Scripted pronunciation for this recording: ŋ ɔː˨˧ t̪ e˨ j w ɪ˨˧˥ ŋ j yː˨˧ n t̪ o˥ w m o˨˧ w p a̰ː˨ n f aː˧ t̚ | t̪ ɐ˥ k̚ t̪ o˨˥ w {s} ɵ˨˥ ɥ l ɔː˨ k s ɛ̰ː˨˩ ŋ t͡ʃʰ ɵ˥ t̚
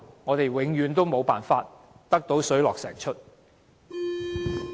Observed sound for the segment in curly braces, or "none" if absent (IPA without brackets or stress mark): s